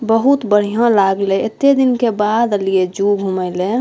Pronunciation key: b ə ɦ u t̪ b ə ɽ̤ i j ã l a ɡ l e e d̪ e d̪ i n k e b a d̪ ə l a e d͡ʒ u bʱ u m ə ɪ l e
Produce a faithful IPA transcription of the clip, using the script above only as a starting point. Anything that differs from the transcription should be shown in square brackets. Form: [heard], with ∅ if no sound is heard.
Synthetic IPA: b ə ɦ u t̪ b ə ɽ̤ i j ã l a ɡ l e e [t̪] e d̪ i n k e b a d̪ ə l [i] e d͡ʒ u [ɡʱ] u m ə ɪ l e